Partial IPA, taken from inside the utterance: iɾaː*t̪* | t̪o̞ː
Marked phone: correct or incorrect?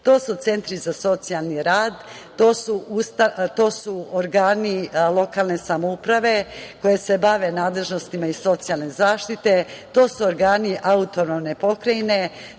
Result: incorrect: d̪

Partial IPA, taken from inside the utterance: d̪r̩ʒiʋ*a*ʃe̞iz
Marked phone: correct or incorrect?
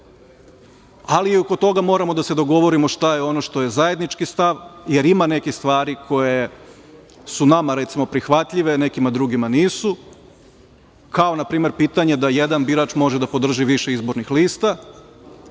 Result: incorrect: i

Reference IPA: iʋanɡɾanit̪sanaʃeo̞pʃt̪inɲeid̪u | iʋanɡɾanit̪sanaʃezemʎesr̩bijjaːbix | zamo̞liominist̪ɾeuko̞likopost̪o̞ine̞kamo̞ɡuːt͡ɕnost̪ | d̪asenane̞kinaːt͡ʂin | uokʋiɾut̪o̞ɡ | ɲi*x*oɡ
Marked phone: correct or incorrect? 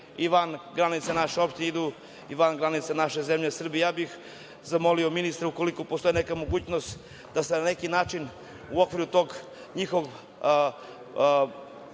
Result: correct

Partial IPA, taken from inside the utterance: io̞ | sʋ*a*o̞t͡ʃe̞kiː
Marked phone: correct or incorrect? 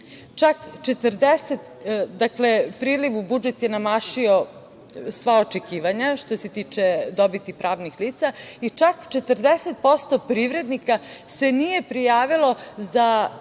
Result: correct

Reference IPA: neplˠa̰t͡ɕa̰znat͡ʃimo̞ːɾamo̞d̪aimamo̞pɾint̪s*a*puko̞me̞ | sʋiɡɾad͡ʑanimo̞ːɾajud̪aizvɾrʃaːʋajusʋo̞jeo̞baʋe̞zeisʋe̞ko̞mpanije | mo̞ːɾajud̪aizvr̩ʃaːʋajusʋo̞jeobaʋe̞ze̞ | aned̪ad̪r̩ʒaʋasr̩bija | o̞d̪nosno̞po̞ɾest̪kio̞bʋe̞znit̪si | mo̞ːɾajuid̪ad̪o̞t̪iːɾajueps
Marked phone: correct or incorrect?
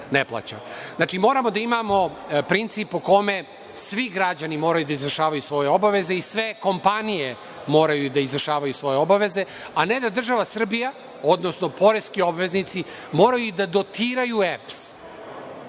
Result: incorrect: i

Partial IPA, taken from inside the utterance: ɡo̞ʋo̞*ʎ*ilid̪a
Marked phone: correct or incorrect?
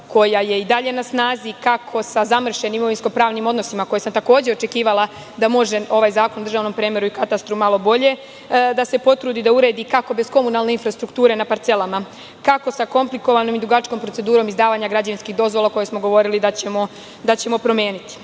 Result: incorrect: ɾ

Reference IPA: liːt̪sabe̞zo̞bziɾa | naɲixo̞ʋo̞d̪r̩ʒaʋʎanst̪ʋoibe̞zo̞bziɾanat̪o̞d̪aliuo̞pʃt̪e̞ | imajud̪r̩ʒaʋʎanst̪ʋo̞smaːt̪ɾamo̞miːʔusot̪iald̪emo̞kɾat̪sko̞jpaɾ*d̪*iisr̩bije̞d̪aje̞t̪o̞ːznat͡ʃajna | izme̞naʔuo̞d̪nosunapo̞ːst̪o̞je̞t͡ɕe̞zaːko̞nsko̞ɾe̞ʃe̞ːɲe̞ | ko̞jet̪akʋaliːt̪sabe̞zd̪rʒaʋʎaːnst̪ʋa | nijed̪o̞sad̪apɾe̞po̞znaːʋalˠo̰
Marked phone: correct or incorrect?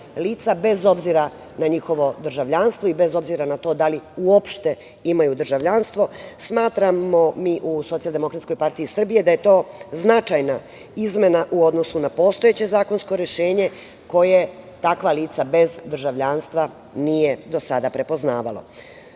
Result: incorrect: t̪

